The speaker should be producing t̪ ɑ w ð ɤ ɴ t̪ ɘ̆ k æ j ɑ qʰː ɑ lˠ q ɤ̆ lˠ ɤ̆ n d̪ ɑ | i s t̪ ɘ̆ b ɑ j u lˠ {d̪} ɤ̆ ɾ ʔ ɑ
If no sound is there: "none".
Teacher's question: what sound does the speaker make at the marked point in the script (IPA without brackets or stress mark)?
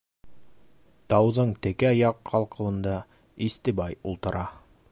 t̪